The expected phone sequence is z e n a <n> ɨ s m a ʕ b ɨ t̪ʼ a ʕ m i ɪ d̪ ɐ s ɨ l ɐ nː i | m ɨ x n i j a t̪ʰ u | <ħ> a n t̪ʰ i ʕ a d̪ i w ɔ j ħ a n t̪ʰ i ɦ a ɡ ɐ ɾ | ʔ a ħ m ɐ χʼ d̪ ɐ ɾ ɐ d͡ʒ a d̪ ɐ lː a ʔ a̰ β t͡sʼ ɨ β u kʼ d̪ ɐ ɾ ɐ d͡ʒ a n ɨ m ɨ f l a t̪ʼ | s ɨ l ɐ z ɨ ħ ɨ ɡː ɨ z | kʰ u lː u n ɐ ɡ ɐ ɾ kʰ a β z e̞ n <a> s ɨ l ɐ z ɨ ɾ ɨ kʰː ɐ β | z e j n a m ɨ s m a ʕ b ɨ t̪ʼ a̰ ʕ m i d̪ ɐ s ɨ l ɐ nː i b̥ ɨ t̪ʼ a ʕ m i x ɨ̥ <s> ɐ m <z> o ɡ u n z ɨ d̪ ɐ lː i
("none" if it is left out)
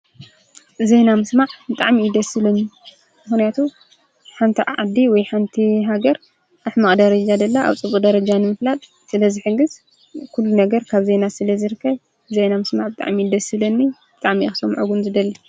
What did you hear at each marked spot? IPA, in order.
m, ħ, a, s, ʕ

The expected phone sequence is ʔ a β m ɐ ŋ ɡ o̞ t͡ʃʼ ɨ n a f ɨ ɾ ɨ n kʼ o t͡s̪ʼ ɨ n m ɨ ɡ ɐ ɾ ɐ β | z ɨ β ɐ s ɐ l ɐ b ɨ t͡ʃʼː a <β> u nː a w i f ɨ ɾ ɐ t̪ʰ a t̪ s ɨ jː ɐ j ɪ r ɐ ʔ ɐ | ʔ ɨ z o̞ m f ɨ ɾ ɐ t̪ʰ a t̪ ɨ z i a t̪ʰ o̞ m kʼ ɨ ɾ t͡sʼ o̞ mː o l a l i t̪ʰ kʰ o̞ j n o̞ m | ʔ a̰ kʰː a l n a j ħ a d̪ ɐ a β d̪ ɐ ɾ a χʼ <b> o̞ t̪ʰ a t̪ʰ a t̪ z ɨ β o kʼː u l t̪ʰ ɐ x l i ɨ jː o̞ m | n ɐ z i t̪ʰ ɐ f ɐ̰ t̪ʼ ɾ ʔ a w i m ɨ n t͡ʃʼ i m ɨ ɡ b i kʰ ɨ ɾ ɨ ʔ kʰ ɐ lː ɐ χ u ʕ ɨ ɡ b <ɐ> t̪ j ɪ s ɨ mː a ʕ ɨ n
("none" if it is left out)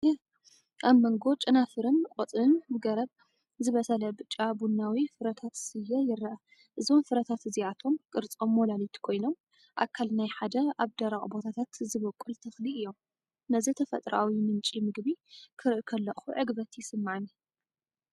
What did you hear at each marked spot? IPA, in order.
b, b, ɐ

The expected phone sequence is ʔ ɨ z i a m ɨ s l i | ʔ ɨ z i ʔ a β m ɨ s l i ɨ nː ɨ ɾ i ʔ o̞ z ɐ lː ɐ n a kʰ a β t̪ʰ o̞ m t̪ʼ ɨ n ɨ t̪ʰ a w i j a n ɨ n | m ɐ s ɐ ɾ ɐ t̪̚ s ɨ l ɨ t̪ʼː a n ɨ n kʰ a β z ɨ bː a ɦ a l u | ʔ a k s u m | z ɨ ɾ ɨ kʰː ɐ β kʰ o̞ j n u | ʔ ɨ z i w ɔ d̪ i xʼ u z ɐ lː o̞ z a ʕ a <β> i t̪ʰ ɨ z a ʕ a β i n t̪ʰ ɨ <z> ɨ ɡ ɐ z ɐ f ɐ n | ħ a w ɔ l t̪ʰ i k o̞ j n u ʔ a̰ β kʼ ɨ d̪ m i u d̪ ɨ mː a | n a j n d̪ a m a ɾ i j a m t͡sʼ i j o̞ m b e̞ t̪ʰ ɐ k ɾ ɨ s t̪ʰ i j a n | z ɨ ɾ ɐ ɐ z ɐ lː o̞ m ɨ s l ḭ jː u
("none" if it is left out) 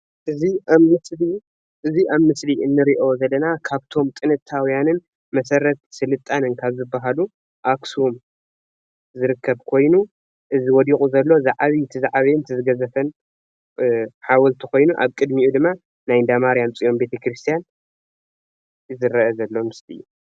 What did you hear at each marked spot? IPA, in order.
β, z

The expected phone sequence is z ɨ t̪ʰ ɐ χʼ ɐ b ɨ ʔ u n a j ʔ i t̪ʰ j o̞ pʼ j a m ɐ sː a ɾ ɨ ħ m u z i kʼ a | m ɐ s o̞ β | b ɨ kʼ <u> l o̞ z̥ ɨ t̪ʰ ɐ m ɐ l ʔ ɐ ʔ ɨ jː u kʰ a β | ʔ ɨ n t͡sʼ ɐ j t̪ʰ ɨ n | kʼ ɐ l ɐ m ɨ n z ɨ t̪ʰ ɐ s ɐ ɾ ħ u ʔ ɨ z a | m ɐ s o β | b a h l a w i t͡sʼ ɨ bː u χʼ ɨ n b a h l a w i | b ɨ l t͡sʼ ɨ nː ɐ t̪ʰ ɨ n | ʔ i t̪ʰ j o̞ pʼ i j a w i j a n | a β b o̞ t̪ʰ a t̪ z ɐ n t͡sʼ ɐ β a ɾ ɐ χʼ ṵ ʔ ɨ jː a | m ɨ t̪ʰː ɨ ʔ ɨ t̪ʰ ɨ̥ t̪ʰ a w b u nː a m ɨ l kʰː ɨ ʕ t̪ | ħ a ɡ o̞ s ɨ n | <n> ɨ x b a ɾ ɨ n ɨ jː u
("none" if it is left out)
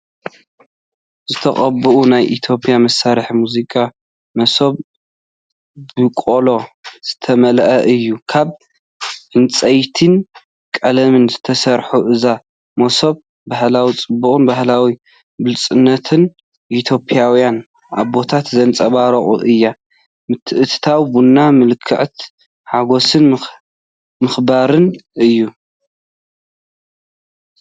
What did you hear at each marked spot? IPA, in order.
o, m

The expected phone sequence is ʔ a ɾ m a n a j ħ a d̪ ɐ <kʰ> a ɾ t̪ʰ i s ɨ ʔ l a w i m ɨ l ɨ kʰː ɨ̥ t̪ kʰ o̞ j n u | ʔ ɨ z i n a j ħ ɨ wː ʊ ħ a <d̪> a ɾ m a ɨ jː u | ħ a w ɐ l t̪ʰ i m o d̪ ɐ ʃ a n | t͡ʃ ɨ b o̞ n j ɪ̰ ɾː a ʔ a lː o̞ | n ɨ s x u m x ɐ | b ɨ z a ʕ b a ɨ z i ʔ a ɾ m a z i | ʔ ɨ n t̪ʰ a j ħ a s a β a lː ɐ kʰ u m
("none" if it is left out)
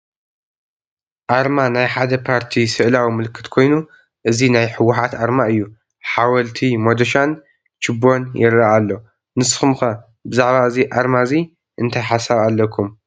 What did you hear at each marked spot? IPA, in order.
pʰ, t̪

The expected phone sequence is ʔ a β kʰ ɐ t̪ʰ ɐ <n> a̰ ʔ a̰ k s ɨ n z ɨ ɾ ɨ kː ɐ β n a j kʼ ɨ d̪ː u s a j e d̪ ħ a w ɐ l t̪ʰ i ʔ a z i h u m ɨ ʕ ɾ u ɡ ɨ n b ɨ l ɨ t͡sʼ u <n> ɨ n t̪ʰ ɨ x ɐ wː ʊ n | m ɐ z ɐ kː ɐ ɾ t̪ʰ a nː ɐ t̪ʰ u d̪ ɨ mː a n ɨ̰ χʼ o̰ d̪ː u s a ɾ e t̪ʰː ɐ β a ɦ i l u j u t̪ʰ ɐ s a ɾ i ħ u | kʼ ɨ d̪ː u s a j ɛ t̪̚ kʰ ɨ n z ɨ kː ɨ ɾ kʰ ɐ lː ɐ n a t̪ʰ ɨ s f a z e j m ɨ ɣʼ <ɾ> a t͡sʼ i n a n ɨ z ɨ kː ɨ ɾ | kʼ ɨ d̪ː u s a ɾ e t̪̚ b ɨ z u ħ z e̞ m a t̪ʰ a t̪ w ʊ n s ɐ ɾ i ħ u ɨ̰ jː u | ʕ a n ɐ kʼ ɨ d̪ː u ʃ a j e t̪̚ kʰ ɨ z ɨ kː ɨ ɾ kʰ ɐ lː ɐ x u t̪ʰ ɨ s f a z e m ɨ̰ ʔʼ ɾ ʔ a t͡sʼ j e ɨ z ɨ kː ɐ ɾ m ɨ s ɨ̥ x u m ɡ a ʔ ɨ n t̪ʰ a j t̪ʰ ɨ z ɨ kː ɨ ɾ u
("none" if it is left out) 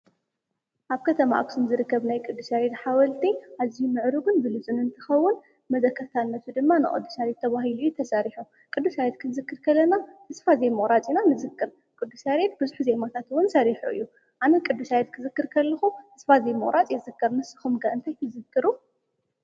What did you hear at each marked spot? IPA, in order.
m, n, ɾ

